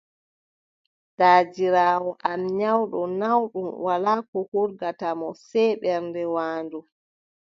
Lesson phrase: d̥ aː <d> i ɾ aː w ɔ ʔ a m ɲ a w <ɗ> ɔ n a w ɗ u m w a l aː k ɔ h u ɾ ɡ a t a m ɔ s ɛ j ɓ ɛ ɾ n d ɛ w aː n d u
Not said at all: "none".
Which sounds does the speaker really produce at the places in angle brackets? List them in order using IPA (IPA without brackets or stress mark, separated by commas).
d͡ʒ, ɗ